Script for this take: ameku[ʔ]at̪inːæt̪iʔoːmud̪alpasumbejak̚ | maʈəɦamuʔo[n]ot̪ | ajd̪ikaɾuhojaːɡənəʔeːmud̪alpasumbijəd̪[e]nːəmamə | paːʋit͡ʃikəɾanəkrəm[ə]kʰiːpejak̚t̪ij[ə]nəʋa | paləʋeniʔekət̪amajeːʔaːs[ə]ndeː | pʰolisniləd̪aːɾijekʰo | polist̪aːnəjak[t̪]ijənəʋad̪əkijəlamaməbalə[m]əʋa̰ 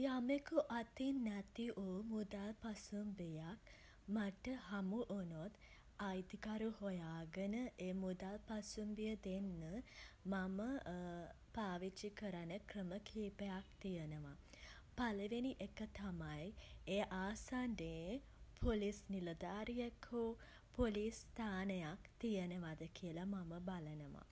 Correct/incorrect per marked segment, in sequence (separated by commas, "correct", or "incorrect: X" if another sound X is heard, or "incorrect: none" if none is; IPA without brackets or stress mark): correct, correct, correct, correct, correct, incorrect: a, correct, incorrect: n